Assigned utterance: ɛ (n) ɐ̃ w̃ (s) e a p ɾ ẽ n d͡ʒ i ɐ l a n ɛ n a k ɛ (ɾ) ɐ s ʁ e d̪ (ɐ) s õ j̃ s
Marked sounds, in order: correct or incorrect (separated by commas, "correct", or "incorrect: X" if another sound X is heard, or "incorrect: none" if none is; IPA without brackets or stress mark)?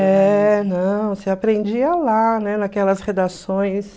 correct, correct, incorrect: l, incorrect: a